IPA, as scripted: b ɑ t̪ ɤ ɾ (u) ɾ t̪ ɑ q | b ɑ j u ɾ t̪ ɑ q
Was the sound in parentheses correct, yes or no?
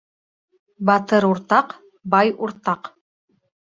yes